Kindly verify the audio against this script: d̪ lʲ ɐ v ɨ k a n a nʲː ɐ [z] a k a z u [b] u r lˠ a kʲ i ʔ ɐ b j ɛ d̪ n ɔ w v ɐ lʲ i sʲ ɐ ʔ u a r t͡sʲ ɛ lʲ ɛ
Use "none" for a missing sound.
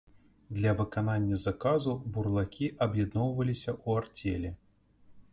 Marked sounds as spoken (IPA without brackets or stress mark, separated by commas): z, b